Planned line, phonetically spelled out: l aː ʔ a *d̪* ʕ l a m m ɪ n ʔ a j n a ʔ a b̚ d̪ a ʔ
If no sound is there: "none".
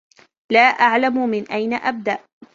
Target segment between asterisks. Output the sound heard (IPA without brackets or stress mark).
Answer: none